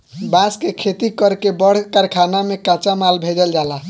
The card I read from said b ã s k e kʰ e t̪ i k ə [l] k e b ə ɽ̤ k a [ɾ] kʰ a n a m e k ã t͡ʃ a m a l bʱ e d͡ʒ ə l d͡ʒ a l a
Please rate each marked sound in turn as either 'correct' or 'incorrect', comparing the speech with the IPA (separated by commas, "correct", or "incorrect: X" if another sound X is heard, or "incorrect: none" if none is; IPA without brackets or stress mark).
incorrect: ɾ, correct